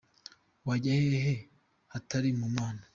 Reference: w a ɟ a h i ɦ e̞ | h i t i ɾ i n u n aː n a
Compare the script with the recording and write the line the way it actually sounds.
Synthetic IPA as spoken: w a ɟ a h e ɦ e̞ | h a t a ɾ i m u m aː n a